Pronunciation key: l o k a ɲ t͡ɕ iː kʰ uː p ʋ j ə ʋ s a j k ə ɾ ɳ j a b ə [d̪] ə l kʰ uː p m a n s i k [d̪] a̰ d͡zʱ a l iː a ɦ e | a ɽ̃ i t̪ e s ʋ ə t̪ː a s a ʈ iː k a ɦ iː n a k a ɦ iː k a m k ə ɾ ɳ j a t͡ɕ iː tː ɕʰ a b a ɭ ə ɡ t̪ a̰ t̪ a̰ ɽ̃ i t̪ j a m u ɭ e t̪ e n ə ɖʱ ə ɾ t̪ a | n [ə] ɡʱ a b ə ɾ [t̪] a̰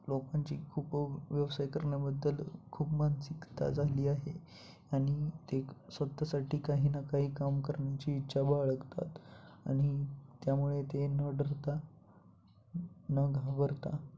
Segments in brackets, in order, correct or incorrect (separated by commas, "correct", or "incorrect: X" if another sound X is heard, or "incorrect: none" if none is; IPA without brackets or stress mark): incorrect: d̪ː, incorrect: t̪, correct, correct